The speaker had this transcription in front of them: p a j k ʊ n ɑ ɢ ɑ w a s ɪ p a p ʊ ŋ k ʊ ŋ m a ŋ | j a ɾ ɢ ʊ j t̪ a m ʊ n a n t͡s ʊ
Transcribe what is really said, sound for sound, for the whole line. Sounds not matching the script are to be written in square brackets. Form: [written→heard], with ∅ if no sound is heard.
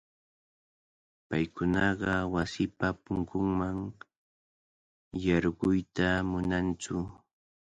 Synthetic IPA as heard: p a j k ʊ n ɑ ɢ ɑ w a s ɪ p a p ʊ ŋ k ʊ ŋ m a ŋ | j [a→ɑ] ɾ ɢ ʊ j t̪ a m ʊ n a n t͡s ʊ